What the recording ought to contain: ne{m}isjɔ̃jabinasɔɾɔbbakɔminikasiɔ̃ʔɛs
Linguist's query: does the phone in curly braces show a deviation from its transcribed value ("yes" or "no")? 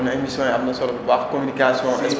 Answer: no